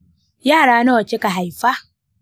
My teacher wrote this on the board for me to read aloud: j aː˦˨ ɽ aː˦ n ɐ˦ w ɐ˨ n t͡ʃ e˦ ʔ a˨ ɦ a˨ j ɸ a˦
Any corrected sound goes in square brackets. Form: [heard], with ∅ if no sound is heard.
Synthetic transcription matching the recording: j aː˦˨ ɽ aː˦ n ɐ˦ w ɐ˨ [∅] t͡ʃ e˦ [k] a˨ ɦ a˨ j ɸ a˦

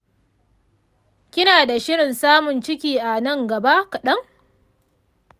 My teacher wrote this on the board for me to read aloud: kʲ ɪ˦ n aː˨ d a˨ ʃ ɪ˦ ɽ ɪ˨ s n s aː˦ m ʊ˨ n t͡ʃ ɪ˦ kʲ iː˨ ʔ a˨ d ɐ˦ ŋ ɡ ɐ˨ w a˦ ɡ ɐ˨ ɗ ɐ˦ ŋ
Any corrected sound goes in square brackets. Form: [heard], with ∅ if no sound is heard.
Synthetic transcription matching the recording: kʲ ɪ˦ n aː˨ d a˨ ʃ ɪ˦ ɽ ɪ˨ [∅] n s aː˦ m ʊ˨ n t͡ʃ ɪ˦ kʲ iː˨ ʔ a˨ [n] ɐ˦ ŋ ɡ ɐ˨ [b] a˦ [k] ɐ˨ ɗ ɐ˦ ŋ

